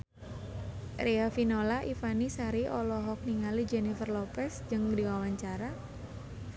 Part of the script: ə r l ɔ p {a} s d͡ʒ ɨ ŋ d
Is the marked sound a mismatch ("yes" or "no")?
yes